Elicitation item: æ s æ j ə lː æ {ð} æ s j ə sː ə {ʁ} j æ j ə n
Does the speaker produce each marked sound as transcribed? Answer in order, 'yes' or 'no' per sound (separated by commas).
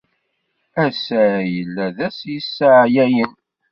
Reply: yes, no